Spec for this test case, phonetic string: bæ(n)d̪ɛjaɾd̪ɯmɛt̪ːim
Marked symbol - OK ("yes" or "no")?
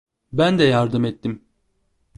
yes